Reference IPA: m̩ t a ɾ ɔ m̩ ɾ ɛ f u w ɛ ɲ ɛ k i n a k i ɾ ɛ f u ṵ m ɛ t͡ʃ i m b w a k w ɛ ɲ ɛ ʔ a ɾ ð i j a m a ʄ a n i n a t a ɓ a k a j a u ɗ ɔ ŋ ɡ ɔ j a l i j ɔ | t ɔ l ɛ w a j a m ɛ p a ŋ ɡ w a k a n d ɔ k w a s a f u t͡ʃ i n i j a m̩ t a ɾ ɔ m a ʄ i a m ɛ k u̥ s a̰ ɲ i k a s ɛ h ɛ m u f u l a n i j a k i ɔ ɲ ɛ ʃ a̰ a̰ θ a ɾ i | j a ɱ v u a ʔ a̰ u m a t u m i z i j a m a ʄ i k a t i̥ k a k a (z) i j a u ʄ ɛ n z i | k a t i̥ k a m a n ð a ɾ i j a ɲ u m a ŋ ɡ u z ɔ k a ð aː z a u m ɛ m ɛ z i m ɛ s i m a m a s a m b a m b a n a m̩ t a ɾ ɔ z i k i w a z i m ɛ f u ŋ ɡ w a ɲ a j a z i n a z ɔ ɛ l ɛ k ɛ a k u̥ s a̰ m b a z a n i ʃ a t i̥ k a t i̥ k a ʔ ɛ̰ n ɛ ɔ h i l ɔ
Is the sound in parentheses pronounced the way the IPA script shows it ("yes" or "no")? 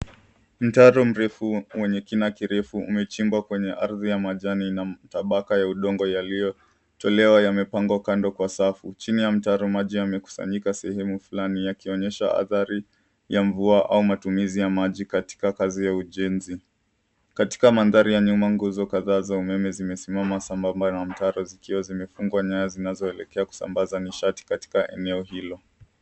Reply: yes